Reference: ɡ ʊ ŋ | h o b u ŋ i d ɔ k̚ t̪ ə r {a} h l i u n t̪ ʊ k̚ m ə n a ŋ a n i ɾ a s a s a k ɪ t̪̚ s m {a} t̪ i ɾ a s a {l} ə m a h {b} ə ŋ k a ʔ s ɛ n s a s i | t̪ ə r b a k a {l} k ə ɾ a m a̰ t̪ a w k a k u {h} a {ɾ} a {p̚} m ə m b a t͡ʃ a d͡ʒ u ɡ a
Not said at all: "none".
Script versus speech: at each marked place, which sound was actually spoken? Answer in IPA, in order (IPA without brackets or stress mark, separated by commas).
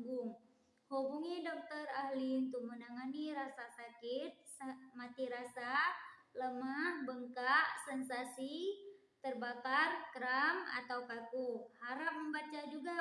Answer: a, a, l, b, r, h, ɾ, p̚